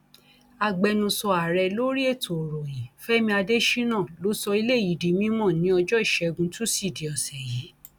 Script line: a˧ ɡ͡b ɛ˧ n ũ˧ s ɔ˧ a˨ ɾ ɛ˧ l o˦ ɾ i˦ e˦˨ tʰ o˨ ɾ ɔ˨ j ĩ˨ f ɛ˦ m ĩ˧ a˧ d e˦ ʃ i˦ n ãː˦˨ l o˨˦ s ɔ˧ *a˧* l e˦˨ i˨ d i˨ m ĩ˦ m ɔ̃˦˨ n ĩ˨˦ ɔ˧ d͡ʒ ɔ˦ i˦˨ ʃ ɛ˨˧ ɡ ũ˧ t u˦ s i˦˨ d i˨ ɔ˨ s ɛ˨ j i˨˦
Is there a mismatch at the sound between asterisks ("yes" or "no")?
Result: yes